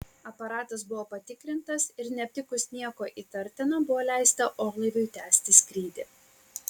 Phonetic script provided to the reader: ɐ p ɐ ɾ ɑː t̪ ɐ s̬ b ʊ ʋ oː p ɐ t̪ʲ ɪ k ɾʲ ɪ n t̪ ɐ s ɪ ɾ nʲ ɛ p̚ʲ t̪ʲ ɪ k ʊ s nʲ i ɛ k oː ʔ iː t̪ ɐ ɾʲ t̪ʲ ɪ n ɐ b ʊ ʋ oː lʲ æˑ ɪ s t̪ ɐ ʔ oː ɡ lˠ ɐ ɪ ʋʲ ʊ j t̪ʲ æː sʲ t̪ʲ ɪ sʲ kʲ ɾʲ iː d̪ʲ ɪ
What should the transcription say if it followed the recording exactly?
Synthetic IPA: ɐ p ɐ ɾ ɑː t̪ ɐ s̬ b ʊ ʋ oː p ɐ t̪ʲ ɪ k ɾʲ ɪ n t̪ ɐ s ɪ ɾ nʲ ɛ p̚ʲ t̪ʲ ɪ k ʊ s nʲ i ɛ k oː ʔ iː t̪ ɐ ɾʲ t̪ʲ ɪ n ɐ b ʊ ʋ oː lʲ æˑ ɪ s t̪ ɐ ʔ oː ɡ lˠ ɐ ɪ ʋʲ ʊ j t̪ʲ æː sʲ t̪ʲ ɪ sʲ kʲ ɾʲ iː d̪ʲ ɪ